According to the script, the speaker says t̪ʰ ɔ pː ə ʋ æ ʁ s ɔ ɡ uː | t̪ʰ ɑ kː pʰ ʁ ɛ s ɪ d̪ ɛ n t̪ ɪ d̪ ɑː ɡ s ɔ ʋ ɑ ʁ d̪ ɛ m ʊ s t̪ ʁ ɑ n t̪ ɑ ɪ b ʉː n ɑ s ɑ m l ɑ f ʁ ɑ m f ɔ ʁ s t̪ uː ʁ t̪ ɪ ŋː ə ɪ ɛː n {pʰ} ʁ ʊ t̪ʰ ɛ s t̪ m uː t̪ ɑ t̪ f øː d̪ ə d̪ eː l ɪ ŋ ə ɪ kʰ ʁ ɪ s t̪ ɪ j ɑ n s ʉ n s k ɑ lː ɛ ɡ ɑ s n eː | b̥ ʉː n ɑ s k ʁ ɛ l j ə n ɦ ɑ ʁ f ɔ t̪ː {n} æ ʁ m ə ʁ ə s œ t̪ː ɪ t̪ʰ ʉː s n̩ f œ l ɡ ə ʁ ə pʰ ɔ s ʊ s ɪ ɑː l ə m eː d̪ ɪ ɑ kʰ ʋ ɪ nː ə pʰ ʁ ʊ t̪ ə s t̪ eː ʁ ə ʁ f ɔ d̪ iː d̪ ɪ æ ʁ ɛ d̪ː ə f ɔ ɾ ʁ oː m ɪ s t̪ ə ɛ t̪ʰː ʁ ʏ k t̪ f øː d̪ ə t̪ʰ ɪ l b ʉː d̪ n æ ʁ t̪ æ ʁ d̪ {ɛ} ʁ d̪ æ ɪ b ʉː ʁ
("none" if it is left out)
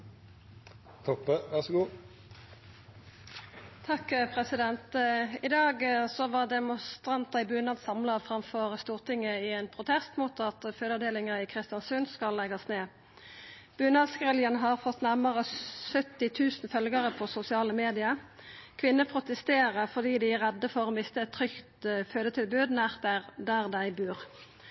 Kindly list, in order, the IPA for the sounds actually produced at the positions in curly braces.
pʰ, n, æ

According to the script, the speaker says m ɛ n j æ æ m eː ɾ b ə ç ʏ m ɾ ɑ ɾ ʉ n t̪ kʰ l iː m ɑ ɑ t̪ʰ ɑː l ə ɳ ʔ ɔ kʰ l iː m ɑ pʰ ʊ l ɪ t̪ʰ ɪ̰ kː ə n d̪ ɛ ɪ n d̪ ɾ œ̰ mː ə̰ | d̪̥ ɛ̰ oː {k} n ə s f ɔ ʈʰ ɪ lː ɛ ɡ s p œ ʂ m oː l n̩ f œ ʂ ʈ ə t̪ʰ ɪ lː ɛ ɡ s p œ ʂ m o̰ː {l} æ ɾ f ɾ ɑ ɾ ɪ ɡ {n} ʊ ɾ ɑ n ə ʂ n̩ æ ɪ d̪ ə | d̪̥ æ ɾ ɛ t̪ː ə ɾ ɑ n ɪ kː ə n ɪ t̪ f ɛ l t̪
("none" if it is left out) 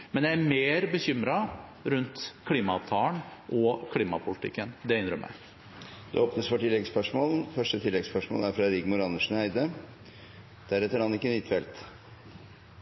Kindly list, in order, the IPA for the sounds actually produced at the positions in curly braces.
p, l, m

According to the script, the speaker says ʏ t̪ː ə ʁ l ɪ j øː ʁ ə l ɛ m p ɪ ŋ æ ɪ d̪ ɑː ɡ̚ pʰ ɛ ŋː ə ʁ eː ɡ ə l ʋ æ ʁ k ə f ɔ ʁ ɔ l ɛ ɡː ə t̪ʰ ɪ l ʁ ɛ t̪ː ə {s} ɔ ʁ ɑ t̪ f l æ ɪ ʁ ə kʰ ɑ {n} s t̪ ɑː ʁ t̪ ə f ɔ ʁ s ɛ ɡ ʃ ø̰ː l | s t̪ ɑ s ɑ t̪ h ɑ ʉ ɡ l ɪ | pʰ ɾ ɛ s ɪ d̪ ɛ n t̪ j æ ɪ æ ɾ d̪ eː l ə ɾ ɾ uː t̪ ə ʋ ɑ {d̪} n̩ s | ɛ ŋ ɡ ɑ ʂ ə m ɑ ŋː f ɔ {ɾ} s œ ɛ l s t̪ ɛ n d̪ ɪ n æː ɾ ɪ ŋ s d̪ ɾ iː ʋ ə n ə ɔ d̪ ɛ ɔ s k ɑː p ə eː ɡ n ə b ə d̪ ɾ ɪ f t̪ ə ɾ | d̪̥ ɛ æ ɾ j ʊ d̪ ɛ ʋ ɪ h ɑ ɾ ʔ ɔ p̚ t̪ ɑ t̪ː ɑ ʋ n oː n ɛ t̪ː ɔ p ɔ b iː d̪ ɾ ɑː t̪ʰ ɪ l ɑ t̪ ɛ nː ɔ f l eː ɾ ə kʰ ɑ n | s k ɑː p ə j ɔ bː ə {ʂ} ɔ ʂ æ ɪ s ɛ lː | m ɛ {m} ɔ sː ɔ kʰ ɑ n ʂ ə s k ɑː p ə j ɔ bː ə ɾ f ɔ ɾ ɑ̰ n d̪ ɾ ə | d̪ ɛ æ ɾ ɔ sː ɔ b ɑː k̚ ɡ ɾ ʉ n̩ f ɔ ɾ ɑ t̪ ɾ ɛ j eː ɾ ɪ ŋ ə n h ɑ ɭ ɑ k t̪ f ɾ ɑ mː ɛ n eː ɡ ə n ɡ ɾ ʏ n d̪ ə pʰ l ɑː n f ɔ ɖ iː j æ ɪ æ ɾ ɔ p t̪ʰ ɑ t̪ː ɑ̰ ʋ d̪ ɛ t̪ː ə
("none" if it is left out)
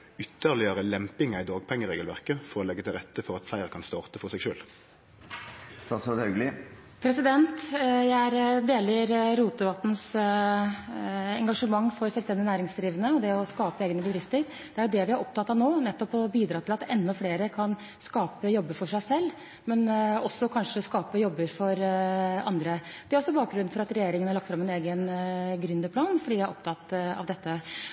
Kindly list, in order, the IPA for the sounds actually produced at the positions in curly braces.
f, n, t̪, ɾ, f, n

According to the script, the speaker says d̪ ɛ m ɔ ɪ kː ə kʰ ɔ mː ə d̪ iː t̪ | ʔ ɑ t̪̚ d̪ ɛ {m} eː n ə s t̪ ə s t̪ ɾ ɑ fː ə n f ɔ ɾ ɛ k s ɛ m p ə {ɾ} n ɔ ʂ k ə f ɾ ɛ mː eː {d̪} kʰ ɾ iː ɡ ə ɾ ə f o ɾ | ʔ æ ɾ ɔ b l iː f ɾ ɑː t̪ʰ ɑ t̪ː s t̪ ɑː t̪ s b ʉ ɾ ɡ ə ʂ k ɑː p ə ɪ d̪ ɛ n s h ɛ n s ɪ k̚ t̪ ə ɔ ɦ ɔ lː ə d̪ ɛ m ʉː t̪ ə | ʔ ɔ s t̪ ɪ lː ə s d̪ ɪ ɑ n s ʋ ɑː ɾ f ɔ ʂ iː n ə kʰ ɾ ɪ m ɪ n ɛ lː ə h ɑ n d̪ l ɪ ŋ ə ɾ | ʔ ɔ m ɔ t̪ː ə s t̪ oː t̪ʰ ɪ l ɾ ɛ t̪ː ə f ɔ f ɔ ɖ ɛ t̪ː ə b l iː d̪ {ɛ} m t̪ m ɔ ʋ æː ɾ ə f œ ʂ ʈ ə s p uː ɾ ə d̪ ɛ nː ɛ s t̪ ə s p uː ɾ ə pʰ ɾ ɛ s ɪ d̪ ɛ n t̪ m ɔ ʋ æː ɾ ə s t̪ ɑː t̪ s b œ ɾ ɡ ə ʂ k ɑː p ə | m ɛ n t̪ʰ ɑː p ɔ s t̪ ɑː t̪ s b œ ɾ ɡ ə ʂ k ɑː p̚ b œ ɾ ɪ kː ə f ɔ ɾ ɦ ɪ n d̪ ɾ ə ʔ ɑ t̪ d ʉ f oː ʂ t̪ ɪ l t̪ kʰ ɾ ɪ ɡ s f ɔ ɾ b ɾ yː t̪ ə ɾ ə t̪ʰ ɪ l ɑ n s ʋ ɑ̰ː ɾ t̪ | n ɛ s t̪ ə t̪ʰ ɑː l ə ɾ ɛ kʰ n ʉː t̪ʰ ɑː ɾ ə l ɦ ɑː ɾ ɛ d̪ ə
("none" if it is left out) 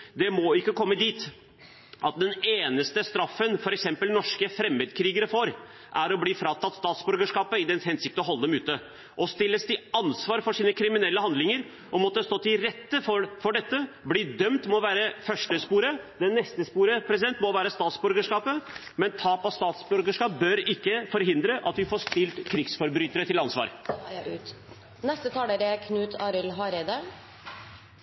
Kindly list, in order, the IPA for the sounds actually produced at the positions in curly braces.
n, l, d̪, œ

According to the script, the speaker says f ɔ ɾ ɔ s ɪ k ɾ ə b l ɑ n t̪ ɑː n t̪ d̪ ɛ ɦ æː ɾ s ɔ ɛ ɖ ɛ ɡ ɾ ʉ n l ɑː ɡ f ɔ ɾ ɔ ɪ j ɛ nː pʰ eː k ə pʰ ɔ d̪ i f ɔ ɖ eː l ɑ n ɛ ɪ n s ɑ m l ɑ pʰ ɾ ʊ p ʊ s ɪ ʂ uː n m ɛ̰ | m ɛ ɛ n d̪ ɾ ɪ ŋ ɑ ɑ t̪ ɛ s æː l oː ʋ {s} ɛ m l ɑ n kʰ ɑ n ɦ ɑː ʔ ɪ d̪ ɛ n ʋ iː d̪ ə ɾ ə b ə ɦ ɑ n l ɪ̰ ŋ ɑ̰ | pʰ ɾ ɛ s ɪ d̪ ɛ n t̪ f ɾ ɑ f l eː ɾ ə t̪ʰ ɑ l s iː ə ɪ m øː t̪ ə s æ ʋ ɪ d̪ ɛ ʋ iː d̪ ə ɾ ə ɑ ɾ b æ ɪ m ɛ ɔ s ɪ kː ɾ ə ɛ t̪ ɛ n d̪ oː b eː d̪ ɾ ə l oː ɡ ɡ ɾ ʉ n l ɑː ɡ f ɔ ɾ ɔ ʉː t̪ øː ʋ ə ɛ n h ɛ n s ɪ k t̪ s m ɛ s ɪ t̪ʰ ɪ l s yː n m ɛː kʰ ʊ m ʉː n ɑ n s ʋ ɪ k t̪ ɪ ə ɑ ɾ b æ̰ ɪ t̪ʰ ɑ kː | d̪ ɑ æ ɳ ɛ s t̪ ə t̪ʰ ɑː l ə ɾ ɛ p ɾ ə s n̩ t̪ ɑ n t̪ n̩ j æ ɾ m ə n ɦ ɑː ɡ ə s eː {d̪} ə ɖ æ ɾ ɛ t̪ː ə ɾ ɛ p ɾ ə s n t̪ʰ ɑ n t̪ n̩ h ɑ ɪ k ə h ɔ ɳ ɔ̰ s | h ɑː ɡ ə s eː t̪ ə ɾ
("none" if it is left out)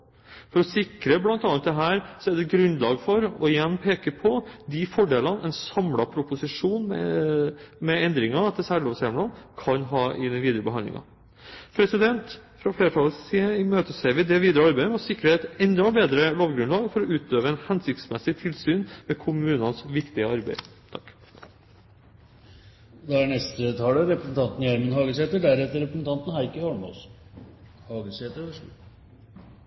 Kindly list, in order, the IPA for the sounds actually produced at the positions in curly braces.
s, t̪

